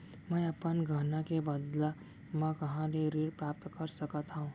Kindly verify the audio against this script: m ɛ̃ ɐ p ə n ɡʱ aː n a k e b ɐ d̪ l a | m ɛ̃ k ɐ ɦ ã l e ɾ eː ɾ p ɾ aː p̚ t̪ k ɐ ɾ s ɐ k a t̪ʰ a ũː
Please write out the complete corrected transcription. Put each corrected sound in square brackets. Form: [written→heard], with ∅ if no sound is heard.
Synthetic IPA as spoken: m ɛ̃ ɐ p ə n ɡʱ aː n a k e b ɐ d̪ l a | m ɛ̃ k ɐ ɦ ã l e ɾ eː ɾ p ɾ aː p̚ t̪ k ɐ ɾ s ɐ k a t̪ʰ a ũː